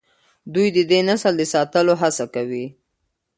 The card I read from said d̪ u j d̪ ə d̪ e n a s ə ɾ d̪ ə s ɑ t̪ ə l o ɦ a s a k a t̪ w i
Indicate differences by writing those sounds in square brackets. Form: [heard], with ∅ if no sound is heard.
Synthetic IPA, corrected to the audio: d̪ u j d̪ ə d̪ e n a s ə [l] d̪ ə s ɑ t̪ ə l o ɦ a s a k a [∅] w i